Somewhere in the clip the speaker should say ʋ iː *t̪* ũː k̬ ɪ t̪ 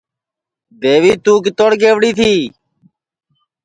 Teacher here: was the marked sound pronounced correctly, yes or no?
yes